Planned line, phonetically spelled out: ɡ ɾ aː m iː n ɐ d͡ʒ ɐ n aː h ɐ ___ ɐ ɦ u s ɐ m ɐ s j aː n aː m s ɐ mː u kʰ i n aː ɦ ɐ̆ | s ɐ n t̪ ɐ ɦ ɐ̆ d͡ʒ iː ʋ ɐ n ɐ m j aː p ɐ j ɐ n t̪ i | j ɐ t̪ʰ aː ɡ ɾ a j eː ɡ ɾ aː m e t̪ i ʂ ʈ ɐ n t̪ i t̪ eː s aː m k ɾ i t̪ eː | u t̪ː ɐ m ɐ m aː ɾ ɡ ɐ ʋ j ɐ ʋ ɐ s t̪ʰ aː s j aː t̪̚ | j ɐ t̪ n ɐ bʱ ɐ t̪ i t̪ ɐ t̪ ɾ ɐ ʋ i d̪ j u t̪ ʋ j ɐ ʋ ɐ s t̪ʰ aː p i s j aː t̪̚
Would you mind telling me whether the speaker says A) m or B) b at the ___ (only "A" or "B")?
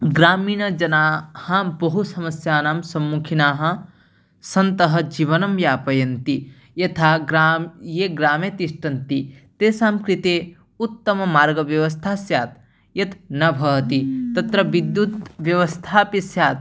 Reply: B